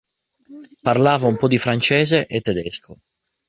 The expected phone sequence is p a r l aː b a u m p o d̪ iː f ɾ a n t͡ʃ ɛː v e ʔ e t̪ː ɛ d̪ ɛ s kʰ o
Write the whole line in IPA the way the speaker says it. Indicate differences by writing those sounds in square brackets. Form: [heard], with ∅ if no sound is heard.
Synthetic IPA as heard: p a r l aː [v] a u m p [ɔ] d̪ [i] f ɾ a n t͡ʃ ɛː [z] e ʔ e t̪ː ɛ d̪ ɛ s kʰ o